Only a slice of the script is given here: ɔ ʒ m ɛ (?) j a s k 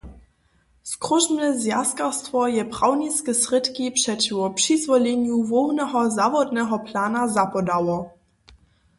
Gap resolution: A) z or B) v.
A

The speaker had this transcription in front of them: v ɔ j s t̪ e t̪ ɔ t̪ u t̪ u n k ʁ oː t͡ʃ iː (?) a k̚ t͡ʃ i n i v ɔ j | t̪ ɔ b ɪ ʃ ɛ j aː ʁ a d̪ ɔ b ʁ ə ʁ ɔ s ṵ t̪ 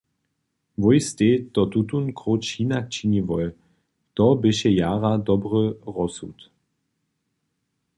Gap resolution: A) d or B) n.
B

